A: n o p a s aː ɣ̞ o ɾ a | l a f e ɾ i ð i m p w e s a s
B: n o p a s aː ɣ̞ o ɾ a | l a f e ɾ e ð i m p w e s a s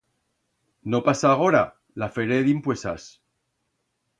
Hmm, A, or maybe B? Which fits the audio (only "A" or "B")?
B